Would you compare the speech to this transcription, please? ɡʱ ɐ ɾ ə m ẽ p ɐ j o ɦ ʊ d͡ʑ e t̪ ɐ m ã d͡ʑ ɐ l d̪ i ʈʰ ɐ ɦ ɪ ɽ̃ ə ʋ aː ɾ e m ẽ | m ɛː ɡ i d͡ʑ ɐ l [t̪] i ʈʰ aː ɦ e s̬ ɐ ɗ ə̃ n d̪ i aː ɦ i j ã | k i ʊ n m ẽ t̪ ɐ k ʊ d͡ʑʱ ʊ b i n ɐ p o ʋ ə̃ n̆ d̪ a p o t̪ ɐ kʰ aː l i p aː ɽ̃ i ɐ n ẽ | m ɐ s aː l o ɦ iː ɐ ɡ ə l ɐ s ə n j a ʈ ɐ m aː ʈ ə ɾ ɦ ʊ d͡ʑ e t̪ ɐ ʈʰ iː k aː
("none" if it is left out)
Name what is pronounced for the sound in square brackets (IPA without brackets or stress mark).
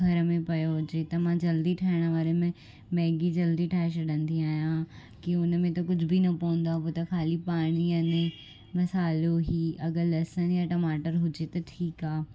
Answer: d̪